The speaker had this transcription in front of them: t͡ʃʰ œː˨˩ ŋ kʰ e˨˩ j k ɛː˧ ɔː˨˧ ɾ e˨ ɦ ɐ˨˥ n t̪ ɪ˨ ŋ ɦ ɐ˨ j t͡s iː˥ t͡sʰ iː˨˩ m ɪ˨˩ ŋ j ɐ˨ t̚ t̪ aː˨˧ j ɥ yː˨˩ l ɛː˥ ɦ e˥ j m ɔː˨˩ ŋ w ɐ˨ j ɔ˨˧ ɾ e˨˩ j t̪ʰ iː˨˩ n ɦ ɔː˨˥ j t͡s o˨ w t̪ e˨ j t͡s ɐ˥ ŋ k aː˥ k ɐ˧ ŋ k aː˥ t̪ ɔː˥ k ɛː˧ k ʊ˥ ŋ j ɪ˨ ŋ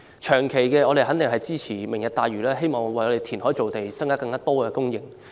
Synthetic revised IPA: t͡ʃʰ œː˨˩ ŋ kʰ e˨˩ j k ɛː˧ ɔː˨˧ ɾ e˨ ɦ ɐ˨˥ n t̪ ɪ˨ ŋ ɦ ɐ˨ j t͡s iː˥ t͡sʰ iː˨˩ m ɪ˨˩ ŋ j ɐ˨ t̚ t̪ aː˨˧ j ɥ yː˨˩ l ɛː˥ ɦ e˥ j m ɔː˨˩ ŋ w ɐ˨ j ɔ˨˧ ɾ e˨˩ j t̪ʰ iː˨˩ n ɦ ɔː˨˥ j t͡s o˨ w t̪ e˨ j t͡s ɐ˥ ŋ k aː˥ k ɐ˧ ŋ k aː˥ t̪ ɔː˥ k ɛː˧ k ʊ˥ ŋ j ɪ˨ ŋ